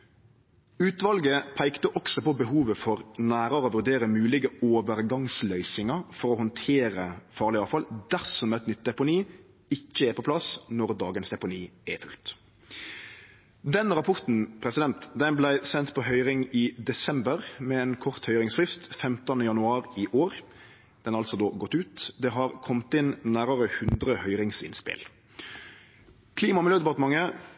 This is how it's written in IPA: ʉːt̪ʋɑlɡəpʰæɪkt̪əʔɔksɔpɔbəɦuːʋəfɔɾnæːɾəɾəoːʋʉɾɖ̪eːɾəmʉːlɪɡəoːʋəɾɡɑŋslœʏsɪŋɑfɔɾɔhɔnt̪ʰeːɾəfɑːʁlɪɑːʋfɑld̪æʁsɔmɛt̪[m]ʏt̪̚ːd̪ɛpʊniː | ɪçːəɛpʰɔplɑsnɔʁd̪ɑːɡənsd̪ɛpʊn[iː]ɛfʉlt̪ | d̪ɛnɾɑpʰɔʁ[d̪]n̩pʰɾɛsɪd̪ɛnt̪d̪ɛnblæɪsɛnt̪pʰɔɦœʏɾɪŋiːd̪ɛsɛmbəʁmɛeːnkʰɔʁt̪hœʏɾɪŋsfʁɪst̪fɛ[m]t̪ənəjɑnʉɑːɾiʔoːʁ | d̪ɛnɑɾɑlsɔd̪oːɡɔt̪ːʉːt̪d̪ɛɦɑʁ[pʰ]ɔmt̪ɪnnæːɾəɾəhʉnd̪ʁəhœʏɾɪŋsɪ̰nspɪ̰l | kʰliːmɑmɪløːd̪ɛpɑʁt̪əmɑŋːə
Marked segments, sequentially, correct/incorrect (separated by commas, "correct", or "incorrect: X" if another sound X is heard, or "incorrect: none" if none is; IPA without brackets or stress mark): incorrect: n, correct, incorrect: t̪, correct, incorrect: kʰ